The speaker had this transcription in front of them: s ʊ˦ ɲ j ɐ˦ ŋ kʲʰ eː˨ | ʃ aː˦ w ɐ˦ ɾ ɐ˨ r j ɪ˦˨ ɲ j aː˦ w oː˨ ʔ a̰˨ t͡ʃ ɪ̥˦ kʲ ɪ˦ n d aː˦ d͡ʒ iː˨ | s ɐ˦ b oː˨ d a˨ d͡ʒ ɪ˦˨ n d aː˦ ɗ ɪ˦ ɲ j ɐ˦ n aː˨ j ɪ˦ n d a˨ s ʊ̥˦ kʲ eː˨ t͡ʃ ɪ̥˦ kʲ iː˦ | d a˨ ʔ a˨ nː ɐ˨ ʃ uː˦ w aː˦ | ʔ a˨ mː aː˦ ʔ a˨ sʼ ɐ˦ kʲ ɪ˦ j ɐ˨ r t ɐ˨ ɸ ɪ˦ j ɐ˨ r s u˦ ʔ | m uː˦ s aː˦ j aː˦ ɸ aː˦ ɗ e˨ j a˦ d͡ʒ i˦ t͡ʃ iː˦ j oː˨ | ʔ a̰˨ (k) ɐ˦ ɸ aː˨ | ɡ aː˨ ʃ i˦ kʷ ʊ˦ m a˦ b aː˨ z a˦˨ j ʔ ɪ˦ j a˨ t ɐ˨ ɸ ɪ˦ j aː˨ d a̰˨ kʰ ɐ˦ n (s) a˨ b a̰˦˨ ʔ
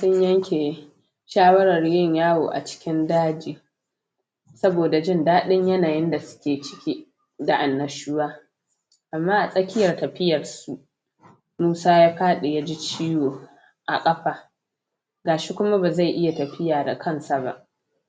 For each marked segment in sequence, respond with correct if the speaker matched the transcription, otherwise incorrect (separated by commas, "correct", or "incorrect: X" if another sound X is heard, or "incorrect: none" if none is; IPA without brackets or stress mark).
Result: incorrect: kʼ, correct